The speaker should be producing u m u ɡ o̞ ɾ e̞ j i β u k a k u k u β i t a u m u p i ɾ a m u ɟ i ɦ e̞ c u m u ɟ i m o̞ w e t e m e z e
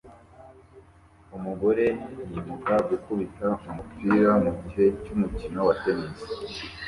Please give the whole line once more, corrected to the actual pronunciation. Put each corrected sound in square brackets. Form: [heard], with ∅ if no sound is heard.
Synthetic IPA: u m u ɡ o̞ ɾ e̞ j i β u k a [ɡ] u k u β i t a u m u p i ɾ a m u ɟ i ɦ e̞ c u m u [c] i [n] o̞ w [a] t e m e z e

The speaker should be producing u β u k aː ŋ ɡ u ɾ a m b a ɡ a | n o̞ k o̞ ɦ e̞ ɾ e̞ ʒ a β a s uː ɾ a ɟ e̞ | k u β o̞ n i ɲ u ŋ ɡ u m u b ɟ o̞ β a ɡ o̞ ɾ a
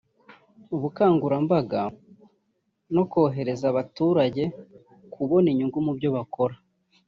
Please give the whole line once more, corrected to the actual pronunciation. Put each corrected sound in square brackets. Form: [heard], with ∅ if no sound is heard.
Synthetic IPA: u β u k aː ŋ ɡ u ɾ a m b a ɡ a | n o̞ k o̞ ɦ e̞ ɾ e̞ [z] a β a [t] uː ɾ a ɟ e̞ | k u β o̞ n i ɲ u ŋ ɡ u m u b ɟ o̞ β a [k] o̞ ɾ a

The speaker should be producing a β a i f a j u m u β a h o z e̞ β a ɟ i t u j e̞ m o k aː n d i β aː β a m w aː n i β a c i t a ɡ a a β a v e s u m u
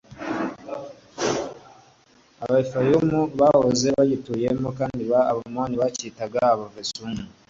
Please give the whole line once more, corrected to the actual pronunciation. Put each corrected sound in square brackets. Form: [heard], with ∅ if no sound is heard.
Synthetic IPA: a β a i f a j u m u β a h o z e̞ β a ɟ i t u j e̞ m o k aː n d i β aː β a m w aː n i β a c i t a ɡ a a β a v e s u m u

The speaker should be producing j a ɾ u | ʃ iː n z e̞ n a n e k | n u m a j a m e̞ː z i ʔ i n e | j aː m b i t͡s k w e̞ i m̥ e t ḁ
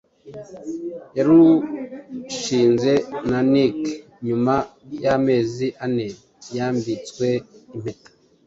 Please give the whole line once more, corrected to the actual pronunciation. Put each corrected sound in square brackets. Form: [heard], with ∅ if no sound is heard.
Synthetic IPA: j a ɾ u | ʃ iː n z e̞ n a n [i] k | [ɲ] u m a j a m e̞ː z i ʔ [a] n e | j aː m b i t͡s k w e̞ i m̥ e t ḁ

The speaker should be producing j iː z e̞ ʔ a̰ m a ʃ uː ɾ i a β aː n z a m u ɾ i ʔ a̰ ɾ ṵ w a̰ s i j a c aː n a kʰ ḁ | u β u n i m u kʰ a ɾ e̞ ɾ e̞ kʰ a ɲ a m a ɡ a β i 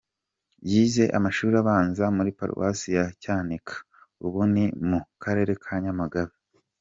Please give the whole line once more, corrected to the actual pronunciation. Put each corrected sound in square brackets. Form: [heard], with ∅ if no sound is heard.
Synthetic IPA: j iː z e̞ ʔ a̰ m a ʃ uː ɾ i a β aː n z a m u ɾ i [p] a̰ ɾ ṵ w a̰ s i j a c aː n [i] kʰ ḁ | u β u n i m u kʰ a ɾ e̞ ɾ e̞ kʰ a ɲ a m a ɡ a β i

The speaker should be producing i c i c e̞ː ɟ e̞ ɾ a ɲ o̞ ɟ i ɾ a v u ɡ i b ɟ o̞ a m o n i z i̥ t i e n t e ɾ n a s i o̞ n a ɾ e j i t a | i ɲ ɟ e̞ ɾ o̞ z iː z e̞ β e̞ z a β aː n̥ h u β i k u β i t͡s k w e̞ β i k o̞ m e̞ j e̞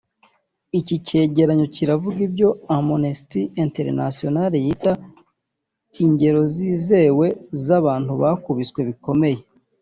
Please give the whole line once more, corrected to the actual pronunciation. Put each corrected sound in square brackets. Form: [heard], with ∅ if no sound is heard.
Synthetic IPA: i c i c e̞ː ɟ e̞ ɾ a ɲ o̞ [c] i ɾ a v u ɡ i b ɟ o̞ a m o n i [s] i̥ t i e n t e ɾ n a s i o̞ n a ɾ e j i t a | i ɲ ɟ e̞ ɾ o̞ z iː z e̞ [w] e̞ z a β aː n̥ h u β [a] k u β i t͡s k w e̞ β i k o̞ m e̞ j e̞

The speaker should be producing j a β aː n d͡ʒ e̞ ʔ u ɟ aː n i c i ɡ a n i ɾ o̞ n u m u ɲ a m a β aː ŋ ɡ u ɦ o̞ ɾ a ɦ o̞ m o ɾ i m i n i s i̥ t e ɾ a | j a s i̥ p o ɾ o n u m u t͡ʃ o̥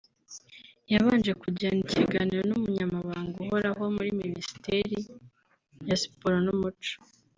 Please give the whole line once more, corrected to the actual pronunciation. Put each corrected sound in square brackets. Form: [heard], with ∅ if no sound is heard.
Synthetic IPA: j a β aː n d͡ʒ e̞ [k] u ɟ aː n i c i ɡ a n i ɾ o̞ n u m u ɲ a m a β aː ŋ ɡ u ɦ o̞ ɾ a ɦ o̞ m [u] ɾ i m i n i s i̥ t e ɾ [i] | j a s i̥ p o ɾ o n u m u t͡ʃ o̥

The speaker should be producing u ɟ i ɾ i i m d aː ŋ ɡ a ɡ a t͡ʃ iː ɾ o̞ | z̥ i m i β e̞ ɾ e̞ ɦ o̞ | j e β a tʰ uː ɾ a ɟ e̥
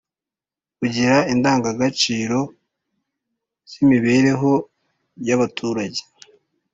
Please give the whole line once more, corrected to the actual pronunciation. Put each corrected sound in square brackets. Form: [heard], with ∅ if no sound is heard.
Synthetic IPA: u ɟ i ɾ [a] i [n] d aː ŋ ɡ a ɡ a t͡ʃ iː ɾ o̞ | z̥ i m i β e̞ ɾ e̞ ɦ o̞ | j [a] β a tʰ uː ɾ a ɟ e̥

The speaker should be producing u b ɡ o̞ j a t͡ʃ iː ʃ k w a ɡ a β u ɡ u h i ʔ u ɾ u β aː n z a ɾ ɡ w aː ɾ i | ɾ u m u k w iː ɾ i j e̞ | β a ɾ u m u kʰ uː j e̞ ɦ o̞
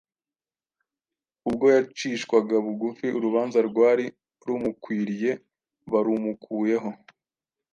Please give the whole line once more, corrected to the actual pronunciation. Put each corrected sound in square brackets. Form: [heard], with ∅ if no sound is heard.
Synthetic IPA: u b ɡ o̞ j a t͡ʃ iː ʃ k w a ɡ a β u ɡ u [f] i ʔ u ɾ u β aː n z a ɾ ɡ w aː ɾ i | ɾ u m u k w iː ɾ i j e̞ | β a ɾ u m u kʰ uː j e̞ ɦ o̞

